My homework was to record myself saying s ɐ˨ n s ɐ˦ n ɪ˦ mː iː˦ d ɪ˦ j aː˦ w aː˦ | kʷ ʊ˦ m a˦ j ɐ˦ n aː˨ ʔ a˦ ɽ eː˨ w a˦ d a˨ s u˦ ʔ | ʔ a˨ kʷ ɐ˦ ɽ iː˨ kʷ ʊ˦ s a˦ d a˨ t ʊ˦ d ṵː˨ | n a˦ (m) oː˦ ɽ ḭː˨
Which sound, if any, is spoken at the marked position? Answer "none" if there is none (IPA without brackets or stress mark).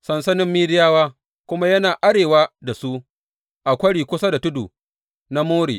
m